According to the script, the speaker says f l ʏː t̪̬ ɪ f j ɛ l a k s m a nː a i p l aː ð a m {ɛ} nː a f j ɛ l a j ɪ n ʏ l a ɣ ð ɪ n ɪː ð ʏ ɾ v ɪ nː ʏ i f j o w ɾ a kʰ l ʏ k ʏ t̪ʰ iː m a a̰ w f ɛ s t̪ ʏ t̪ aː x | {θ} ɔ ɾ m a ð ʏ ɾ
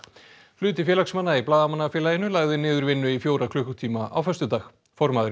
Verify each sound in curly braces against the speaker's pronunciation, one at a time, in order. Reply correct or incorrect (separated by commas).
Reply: incorrect, incorrect